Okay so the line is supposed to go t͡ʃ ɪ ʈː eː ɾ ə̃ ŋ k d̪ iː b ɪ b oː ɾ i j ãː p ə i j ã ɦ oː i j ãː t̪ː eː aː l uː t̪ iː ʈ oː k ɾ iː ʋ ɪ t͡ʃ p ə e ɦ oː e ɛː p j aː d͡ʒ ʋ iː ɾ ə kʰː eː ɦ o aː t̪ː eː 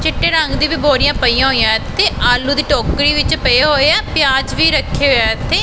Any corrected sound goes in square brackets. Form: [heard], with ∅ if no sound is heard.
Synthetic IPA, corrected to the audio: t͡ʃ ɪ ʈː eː ɾ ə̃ ŋ [ɡ] d̪ iː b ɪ b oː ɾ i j ãː p ə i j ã ɦ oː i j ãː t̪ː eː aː l uː [d̪] iː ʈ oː k ɾ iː ʋ ɪ t͡ʃ p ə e ɦ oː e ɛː p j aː d͡ʒ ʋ iː ɾ ə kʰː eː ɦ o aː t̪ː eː